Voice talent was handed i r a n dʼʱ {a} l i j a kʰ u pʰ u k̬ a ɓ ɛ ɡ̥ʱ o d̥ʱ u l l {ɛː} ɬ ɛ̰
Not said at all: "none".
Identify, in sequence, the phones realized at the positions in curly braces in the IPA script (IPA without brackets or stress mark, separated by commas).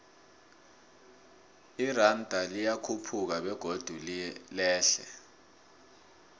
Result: a, ɛː